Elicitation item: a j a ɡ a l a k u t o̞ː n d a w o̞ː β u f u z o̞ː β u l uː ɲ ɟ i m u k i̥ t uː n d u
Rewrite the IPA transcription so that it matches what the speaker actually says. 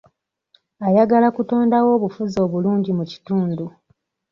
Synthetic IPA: a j a ɡ a l a k u t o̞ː n d a w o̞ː β u f u z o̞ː β u l uː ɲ ɟ i m u c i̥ t uː n d u